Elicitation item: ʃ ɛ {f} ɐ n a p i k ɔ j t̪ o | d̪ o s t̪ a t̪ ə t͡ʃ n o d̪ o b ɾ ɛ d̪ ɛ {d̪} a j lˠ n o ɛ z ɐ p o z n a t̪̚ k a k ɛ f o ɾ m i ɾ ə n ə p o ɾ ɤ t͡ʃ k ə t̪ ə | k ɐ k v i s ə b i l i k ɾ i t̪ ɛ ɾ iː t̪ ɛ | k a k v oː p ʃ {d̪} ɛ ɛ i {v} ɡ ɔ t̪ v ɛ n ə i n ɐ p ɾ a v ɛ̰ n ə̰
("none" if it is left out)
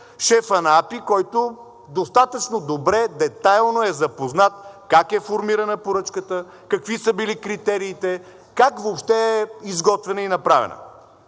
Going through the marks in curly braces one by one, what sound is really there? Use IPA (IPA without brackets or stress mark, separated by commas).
f, t̪, t̪, z